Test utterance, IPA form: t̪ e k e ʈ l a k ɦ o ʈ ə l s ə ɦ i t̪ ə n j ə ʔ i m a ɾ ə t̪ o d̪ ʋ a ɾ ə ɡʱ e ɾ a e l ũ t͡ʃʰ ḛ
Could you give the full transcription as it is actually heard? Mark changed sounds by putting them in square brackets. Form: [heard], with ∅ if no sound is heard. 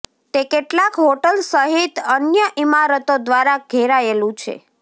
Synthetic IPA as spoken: t̪ e k e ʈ l a k ɦ o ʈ ə l s ə ɦ i t̪ ə n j ə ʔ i m a ɾ ə t̪ o d̪ ʋ a ɾ [a] ɡʱ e ɾ a e l ũ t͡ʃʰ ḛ